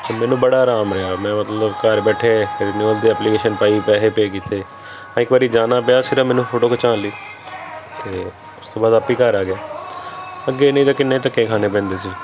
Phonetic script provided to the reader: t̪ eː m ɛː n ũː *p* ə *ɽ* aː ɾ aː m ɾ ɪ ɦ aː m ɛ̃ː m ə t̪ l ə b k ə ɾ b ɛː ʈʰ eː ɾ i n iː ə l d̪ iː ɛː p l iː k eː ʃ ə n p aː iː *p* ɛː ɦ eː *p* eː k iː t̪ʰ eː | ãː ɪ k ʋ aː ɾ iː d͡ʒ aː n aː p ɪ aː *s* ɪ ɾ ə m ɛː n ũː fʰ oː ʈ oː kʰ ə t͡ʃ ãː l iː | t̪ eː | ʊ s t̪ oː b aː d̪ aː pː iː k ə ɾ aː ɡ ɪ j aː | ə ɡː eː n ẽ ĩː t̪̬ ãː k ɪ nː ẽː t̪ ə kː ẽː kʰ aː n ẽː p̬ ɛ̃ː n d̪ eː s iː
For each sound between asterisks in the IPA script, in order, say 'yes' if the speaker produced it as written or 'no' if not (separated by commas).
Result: no, yes, yes, yes, yes